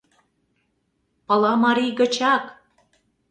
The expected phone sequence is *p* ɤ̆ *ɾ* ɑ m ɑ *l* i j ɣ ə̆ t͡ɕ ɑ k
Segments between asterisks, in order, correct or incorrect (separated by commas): correct, incorrect, incorrect